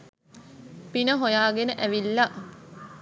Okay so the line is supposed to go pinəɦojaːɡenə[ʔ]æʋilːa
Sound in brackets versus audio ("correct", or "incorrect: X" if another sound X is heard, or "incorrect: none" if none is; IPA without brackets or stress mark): correct